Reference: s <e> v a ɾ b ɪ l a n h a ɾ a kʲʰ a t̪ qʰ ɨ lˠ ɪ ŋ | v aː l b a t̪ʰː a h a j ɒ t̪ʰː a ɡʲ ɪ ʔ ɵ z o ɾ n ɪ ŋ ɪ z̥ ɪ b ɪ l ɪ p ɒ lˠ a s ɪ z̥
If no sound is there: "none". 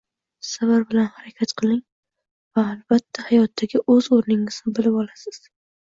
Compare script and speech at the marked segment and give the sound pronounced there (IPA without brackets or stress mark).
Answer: a